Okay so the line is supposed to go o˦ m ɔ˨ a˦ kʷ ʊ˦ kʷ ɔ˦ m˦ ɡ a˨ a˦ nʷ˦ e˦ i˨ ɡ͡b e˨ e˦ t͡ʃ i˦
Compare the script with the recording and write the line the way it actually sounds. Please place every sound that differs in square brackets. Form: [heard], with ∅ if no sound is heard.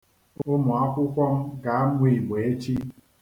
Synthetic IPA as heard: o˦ m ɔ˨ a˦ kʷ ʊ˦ kʷ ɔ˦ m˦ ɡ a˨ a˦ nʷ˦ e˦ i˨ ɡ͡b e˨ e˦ t͡ʃ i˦